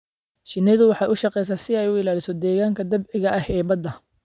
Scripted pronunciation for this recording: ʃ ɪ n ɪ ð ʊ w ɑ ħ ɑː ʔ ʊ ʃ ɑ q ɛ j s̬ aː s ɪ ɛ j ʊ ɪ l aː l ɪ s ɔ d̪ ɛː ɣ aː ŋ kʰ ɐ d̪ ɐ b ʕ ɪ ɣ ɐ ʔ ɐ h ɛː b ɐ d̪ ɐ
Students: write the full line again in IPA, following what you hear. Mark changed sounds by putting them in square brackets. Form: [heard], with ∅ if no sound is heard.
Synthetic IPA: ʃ ɪ n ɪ ð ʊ w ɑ ħ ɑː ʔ ʊ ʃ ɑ q ɛ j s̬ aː s ɪ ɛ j ʊ ɪ l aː l ɪ s ɔ d̪ ɛː ɣ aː ŋ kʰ ɐ d̪ ɐ b ʕ ɪ ɣ ɐ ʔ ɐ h ɛː b ɐ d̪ ɐ